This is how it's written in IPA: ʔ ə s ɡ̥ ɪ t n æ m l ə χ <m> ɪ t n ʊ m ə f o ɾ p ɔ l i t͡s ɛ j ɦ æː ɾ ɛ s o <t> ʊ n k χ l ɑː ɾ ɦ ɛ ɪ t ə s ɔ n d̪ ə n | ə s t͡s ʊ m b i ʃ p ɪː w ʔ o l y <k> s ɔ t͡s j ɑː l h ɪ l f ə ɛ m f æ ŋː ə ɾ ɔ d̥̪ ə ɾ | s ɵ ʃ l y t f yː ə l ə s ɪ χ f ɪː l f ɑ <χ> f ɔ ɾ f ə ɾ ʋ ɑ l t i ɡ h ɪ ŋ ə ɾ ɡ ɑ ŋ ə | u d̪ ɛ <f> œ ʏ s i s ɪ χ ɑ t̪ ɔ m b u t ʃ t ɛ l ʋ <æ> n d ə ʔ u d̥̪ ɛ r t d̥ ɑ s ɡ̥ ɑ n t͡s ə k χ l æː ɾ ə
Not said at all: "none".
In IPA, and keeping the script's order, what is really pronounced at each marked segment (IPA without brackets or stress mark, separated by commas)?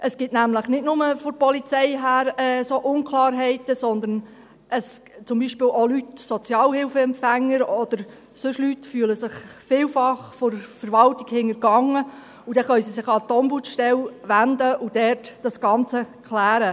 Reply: n, ʔ, t, χ, χ, æ